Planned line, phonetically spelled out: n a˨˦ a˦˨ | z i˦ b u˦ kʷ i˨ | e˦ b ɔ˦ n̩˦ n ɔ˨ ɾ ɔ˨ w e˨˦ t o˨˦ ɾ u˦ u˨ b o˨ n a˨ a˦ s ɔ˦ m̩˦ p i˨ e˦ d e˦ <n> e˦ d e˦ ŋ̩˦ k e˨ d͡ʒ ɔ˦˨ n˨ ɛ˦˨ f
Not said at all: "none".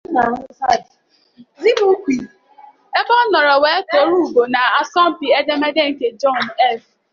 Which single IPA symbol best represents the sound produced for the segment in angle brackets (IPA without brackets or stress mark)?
m